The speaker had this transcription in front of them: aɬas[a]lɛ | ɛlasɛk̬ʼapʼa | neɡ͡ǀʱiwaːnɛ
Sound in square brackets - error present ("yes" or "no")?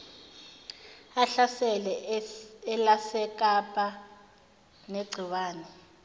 yes